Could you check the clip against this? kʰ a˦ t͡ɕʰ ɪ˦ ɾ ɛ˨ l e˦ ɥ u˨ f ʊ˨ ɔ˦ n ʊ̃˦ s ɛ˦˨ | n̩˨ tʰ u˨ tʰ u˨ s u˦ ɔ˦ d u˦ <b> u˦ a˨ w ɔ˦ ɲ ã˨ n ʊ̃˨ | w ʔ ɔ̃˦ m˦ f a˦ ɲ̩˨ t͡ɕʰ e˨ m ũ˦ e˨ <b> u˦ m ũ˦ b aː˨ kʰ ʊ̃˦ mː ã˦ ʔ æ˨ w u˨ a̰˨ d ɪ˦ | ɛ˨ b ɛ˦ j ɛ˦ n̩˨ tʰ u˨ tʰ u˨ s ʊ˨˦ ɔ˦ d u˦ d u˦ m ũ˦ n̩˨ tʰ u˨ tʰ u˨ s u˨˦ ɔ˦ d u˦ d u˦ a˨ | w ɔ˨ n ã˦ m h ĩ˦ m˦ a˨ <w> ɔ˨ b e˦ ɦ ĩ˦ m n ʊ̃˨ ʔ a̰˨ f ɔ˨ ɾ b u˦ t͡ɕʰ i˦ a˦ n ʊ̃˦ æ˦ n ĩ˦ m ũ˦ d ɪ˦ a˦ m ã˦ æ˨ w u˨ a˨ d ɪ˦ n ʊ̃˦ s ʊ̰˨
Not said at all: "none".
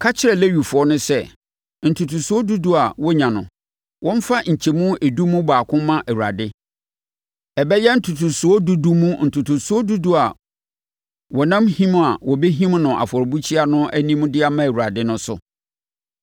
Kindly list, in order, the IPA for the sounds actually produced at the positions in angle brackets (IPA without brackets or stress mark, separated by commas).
d, d, w